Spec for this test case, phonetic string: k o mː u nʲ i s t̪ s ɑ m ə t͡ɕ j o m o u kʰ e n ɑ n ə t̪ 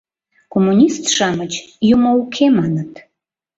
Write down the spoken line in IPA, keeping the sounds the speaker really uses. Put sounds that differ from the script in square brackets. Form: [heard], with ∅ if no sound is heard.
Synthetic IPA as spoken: k o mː u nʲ i s t̪ [ʃ] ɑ m ə t͡ɕ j [u] m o u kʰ e [m] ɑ n ə t̪